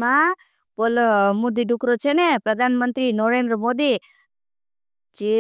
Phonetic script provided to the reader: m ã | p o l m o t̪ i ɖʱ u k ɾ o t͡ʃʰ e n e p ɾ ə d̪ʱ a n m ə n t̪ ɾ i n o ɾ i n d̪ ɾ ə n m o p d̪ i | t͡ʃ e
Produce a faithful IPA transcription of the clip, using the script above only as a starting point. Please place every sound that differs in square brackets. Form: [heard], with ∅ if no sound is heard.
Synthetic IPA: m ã | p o l m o [d̪] i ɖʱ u k ɾ o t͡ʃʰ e n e p ɾ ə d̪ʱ a n m ə n t̪ ɾ i n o ɾ [e] n d̪ ɾ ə [∅] m o [∅] d̪ i | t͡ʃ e

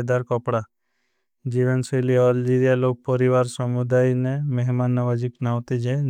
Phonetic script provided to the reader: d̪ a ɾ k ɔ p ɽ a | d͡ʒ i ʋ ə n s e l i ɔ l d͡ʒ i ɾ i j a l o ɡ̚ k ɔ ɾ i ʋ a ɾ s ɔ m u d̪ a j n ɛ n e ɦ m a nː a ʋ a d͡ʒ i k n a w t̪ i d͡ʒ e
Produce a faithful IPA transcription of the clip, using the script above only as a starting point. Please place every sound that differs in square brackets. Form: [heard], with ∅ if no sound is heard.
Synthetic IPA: d̪ a ɾ k ɔ p ɽ a | d͡ʒ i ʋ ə n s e l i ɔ l d͡ʒ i ɾ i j a l o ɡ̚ [p] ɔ ɾ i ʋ a ɾ s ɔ m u d̪ a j n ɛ [m] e ɦ m a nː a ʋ a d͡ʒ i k n a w t̪ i d͡ʒ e

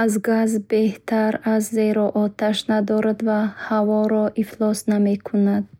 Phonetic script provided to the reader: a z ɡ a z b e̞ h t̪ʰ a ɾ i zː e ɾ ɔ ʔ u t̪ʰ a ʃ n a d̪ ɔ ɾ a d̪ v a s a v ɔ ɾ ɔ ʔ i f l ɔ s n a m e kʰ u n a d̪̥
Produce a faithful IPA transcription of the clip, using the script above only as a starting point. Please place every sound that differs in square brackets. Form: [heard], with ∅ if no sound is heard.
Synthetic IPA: a z ɡ a z b e̞ h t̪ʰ a ɾ [a] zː e ɾ ɔ ʔ [ɔ] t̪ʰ a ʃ n a d̪ ɔ ɾ a d̪ v a [h] a v ɔ ɾ ɔ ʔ i f l ɔ s n a m e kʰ u n a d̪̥

